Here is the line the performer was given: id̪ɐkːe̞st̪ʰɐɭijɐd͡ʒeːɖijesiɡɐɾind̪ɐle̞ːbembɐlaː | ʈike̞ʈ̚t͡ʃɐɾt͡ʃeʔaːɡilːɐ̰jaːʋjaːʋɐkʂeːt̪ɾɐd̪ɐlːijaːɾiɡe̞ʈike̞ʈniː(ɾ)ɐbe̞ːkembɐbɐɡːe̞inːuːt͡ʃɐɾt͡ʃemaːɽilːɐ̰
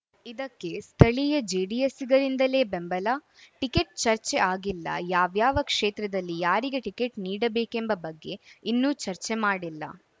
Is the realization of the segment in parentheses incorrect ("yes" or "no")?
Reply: yes